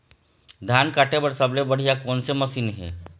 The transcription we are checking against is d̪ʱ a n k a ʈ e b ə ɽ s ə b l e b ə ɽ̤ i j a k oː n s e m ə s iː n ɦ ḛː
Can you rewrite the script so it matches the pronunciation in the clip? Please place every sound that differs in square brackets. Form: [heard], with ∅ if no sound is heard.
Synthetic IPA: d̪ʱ a n k a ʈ e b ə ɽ s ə b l e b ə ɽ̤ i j a k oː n s e m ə s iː n ɦ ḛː

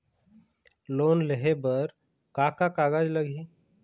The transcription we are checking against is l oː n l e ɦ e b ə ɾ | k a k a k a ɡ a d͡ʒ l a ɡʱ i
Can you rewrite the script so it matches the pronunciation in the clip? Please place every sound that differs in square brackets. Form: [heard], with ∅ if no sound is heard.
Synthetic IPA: l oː n l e ɦ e b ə ɾ | k a k a k a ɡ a d͡ʒ l [ə] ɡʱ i

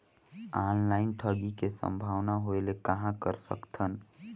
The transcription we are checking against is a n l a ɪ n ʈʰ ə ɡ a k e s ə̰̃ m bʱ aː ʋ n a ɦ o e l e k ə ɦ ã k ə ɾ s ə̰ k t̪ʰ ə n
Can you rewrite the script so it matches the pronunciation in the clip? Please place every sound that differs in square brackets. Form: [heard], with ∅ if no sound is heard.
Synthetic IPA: a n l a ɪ n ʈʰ ə ɡ [i] k e s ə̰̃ m bʱ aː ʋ n a ɦ o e l e k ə ɦ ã k ə ɾ s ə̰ k t̪ʰ ə n

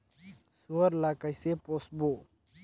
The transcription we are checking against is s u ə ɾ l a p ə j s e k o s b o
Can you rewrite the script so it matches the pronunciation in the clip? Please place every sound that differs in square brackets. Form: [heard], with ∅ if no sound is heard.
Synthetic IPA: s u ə ɾ l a [k] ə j s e [p] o s b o

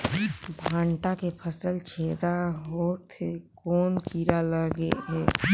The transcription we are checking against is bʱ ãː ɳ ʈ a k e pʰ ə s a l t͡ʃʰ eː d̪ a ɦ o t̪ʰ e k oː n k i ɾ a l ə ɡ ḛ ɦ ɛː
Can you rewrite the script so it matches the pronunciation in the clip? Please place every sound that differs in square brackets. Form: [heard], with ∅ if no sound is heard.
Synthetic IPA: bʱ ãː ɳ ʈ a k e pʰ ə s [ə] l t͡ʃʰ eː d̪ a ɦ o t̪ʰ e k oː n k i ɾ a l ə ɡ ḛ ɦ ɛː

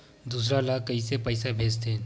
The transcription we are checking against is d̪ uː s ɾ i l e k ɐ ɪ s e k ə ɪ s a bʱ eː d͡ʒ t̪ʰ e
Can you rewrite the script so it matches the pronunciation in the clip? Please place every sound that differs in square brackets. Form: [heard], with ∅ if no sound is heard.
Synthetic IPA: d̪ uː s ɾ [a] l [a] k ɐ [i] s e [p] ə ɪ s a bʱ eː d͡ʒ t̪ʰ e

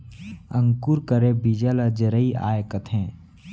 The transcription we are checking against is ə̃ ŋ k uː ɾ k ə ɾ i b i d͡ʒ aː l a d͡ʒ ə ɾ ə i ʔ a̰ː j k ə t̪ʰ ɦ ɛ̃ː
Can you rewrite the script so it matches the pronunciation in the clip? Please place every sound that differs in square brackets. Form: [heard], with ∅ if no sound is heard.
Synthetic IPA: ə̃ ŋ k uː ɾ k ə ɾ [e] b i d͡ʒ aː l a d͡ʒ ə ɾ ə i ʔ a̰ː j k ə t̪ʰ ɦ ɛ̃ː

